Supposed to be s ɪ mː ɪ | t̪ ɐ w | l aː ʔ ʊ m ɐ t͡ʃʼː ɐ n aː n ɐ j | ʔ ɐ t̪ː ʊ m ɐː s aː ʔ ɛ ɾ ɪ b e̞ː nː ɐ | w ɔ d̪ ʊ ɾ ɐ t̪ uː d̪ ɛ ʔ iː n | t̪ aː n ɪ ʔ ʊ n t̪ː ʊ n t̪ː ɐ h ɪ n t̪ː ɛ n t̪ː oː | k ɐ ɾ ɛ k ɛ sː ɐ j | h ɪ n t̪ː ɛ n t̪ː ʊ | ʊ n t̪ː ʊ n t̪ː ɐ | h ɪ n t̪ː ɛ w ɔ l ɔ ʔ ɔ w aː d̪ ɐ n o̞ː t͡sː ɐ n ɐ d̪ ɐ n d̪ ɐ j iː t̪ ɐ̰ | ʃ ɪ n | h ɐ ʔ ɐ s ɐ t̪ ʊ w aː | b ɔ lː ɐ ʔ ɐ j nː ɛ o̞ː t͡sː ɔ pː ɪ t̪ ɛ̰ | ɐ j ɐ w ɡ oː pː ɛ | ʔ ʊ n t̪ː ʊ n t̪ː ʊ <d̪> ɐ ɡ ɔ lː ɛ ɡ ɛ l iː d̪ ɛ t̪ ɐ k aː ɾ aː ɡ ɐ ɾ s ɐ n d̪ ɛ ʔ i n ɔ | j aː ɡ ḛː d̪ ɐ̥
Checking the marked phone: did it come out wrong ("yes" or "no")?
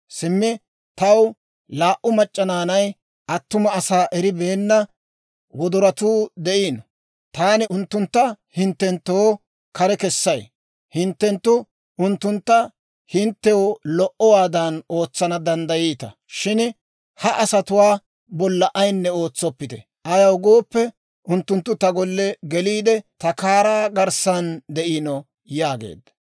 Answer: yes